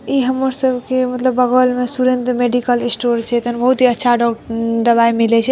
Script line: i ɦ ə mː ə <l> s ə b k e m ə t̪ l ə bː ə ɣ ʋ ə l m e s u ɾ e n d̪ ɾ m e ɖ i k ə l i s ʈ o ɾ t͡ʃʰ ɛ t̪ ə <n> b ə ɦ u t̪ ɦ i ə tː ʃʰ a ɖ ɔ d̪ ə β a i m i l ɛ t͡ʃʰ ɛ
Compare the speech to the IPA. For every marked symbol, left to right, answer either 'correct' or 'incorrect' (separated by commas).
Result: incorrect, correct